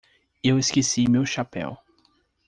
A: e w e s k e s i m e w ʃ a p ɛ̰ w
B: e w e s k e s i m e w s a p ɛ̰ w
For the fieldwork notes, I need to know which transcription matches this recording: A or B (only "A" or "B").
A